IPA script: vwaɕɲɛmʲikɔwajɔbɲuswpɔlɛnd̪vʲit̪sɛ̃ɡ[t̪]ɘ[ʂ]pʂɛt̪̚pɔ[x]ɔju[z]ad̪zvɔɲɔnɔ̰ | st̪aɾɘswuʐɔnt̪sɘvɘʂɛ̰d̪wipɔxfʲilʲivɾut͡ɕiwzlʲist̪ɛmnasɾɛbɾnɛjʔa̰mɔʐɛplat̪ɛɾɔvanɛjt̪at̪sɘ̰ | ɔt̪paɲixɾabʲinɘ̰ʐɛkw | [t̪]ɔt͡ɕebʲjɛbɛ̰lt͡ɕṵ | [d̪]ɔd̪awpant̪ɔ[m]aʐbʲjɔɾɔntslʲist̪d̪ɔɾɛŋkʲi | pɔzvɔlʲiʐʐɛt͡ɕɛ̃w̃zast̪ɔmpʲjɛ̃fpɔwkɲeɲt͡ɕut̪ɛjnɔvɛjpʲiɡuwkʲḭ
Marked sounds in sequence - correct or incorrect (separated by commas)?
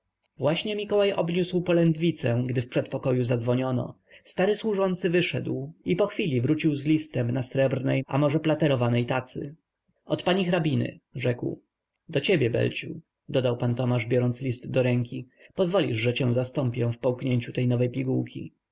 incorrect, incorrect, incorrect, correct, incorrect, correct, correct